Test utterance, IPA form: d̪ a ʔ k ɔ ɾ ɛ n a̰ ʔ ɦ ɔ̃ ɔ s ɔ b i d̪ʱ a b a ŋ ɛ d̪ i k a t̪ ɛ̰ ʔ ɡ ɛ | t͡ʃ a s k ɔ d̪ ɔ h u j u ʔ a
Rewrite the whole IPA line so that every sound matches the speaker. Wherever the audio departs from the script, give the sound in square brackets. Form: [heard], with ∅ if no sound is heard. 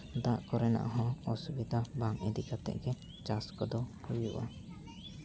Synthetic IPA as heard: d̪ a ʔ k ɔ ɾ ɛ n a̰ ʔ ɦ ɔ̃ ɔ s [u] b i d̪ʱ a b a ŋ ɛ d̪ i k a t̪ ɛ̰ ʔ ɡ ɛ | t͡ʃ a s k ɔ d̪ ɔ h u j u ʔ a